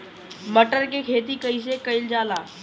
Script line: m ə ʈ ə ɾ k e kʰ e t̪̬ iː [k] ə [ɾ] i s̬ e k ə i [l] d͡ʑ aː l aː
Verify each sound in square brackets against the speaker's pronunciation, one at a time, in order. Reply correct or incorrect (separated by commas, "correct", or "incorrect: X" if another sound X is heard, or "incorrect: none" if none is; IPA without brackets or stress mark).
correct, incorrect: none, correct